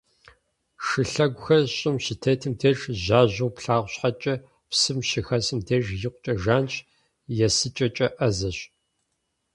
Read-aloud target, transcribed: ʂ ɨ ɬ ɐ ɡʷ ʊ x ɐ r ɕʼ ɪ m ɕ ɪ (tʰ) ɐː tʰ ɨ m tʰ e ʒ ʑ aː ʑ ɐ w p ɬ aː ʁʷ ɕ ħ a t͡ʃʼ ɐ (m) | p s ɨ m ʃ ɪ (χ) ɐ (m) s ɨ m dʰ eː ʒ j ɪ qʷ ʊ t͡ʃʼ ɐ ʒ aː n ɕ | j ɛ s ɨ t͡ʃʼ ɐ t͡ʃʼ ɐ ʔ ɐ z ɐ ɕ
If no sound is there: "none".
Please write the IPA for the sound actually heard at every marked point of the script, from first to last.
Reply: tʰ, none, x, none

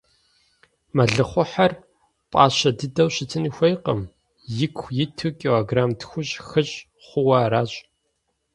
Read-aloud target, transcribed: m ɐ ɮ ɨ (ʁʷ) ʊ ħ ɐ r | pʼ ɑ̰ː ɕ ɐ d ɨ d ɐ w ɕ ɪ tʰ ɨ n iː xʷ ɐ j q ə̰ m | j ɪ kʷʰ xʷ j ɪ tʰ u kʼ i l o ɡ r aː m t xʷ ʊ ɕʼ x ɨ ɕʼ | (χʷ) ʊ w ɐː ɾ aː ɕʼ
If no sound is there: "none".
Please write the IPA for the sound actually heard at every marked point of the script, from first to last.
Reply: χʷ, χʷ

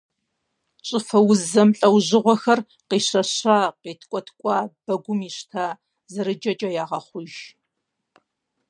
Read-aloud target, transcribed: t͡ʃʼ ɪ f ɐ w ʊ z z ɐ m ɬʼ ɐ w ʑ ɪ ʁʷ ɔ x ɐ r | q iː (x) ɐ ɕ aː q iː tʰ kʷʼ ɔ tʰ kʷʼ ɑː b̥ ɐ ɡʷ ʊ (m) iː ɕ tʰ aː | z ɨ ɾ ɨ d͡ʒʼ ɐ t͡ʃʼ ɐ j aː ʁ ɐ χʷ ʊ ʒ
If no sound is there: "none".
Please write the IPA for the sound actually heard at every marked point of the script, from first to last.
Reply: ɕ, m

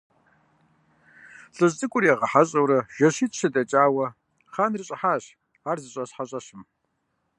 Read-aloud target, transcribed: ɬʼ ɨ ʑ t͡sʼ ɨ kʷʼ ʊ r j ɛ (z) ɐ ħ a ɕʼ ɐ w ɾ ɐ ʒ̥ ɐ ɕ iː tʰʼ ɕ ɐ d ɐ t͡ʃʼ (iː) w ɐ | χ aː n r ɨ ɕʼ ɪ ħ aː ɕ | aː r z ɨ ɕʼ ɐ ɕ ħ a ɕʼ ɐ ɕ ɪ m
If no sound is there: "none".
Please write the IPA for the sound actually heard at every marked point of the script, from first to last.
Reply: ʁ, aː

